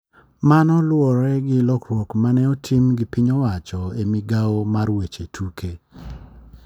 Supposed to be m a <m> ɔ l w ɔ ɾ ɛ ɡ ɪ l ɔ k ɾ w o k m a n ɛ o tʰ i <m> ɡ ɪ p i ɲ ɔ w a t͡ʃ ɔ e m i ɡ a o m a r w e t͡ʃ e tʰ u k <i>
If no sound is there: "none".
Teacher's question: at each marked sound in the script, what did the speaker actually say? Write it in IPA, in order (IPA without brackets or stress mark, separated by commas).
n, m, e